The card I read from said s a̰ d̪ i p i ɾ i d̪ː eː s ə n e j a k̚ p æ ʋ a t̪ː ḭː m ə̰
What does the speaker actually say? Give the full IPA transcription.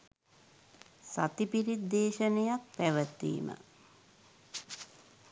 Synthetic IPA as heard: s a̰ t̪ i p i ɾ i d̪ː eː ʃ ə n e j a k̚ p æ ʋ ə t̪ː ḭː m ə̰